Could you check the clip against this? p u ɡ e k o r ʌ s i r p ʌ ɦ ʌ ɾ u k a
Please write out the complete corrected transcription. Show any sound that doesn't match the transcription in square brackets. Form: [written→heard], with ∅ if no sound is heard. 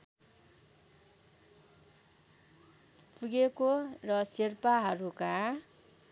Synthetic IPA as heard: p u ɡ e k o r ʌ s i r p [ʌ→a] ɦ ʌ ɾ u k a